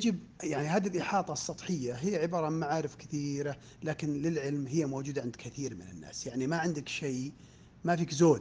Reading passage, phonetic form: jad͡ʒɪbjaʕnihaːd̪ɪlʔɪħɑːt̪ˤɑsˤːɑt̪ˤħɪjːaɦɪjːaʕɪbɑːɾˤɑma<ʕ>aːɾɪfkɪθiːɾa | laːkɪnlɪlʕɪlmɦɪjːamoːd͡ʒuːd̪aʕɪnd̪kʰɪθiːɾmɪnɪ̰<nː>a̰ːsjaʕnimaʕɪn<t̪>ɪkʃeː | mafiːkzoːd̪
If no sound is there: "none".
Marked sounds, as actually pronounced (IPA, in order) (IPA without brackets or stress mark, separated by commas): ʕ, nː, d̪